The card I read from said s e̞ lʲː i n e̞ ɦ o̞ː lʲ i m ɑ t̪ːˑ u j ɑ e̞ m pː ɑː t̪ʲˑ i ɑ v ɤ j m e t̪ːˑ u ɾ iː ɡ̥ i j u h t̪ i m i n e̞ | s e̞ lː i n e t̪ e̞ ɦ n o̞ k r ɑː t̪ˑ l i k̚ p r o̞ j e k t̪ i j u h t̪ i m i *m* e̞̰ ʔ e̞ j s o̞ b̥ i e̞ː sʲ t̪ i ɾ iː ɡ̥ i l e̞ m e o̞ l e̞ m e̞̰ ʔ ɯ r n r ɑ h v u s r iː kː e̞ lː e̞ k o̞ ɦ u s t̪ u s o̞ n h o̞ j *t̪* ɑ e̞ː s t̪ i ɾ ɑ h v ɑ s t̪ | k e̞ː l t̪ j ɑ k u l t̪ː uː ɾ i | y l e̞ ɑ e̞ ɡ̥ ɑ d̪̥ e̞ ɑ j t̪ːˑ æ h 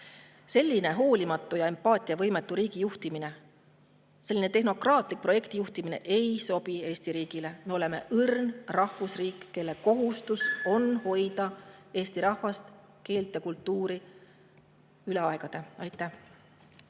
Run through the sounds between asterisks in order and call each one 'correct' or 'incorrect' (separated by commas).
incorrect, incorrect